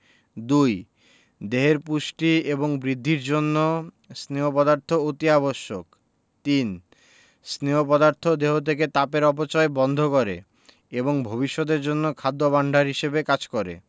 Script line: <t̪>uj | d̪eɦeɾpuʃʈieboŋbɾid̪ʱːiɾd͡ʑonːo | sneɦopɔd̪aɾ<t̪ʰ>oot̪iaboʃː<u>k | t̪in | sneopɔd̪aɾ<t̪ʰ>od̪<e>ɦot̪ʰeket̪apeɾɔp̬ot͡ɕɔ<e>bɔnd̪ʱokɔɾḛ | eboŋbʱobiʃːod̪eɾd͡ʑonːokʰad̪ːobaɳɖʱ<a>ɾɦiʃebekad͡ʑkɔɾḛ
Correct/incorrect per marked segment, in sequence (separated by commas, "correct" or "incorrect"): incorrect, correct, incorrect, correct, correct, correct, correct